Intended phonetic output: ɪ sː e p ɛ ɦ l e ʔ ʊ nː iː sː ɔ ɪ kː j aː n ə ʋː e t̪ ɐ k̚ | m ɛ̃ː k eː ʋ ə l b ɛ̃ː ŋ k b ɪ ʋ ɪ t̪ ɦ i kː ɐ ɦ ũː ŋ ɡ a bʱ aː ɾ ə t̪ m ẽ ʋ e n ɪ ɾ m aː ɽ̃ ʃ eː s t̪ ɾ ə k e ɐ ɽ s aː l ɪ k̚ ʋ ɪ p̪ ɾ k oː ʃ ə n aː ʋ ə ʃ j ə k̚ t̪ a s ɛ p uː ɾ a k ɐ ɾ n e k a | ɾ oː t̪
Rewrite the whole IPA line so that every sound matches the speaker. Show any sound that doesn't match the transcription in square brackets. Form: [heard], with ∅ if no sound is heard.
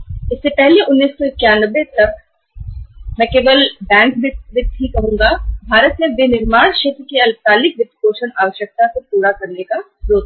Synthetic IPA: ɪ sː e p ɛ ɦ l e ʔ ʊ nː iː sː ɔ ɪ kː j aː n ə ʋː e t̪ ɐ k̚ | m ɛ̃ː k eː ʋ ə l b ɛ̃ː ŋ k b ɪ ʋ ɪ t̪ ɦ i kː ɐ ɦ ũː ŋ ɡ a bʱ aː ɾ ə t̪ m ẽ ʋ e n ɪ ɾ m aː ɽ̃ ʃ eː [∅] t̪ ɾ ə k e ɐ [l] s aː l ɪ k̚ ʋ ɪ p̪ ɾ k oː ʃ ə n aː ʋ ə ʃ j ə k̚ t̪ a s [e] p uː ɾ a k ɐ ɾ n e k a | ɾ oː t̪